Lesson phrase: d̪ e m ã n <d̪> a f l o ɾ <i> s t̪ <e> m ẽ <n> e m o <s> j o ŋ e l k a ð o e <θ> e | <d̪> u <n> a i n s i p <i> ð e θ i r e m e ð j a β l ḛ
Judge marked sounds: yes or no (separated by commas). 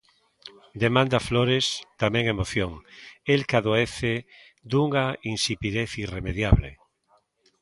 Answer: yes, no, no, no, no, yes, yes, no, yes